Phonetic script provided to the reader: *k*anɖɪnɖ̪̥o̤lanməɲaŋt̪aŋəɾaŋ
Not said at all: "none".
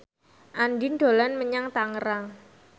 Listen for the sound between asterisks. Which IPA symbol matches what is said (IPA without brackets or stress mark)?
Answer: ʔ